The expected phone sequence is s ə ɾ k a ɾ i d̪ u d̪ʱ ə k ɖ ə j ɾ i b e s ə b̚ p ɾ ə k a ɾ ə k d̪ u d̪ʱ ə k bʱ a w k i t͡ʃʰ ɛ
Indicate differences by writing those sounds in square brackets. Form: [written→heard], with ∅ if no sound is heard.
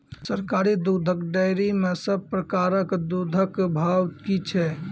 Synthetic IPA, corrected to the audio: s ə ɾ k a ɾ i d̪ u d̪ʱ ə k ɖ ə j ɾ i [b→m] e s ə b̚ p ɾ ə k a ɾ ə k d̪ u d̪ʱ ə k bʱ a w k i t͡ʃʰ ɛ